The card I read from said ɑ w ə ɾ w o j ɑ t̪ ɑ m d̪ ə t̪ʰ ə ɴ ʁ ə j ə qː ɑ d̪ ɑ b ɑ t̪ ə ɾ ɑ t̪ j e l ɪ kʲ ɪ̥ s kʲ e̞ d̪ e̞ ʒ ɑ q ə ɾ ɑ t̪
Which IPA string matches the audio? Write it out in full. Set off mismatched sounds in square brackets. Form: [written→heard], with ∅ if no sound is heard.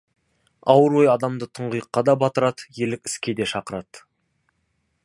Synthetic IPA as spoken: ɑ w ə ɾ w o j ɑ [t̪→d̪] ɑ m d̪ ə t̪ʰ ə ɴ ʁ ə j ə qː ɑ d̪ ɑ b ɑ t̪ ə ɾ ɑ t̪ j e l ɪ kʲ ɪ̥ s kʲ e̞ d̪ e̞ [ʒ→ʃ] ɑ q ə ɾ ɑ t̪